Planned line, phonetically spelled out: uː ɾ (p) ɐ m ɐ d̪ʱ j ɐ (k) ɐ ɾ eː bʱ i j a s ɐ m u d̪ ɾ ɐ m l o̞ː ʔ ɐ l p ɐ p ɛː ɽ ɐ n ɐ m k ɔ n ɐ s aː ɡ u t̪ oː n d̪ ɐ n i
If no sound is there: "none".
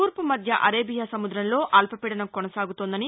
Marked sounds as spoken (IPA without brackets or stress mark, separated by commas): p, ʔ